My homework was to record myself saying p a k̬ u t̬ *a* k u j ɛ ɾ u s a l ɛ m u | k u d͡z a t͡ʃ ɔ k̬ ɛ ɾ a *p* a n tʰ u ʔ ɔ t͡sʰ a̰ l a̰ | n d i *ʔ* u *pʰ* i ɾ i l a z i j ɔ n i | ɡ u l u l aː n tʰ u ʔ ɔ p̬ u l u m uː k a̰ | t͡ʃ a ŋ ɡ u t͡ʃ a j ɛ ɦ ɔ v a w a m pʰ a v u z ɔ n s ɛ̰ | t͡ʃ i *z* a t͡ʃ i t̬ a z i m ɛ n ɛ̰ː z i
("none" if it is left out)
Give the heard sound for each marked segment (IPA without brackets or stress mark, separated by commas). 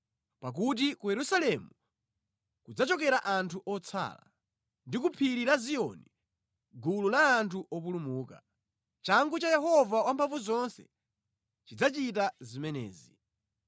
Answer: i, ʔ, k, pʰ, d͡z